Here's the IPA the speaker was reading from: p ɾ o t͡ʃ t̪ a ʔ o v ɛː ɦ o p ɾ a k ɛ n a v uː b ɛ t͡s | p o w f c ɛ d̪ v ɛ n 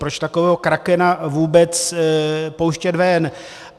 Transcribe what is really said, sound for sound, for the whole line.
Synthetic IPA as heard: p ɾ o t͡ʃ t̪ a k o v ɛː ɦ o k ɾ a k ɛ n a v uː b ɛ t͡s | p o w ʃ c ɛ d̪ v ɛ n